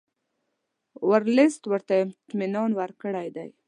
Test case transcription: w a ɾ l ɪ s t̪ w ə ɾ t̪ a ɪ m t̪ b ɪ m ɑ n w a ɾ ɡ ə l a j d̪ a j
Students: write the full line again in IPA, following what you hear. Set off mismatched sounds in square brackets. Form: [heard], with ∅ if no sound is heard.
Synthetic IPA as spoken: w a ɾ l ɪ s t̪ w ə ɾ t̪ a ɪ m t̪ [m] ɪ [n] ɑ n w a ɾ [k] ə [ɽ] a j d̪ a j

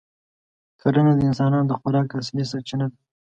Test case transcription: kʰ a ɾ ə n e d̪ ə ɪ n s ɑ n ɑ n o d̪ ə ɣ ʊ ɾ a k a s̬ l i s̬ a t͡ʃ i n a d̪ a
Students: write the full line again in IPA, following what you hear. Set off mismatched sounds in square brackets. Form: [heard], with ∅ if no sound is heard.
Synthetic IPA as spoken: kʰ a ɾ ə n [a] d̪ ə ɪ n s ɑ n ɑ n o d̪ ə [x] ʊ ɾ [ɑ] k a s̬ l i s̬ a t͡ʃ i n a d̪ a

